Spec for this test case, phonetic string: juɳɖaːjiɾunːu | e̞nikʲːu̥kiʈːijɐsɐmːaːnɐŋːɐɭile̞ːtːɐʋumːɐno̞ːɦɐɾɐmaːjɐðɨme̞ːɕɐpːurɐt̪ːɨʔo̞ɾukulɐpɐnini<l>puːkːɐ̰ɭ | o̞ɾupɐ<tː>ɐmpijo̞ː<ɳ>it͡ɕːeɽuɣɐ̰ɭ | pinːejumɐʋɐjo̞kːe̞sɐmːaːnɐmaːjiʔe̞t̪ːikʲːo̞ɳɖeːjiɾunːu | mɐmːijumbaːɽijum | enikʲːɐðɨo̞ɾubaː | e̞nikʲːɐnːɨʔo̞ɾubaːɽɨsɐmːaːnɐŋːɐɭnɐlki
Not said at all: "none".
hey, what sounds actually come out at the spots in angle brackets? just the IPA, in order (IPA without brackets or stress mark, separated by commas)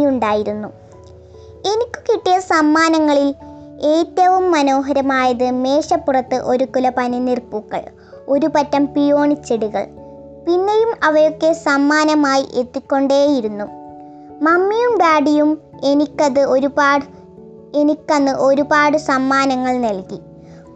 r, tː, ɳ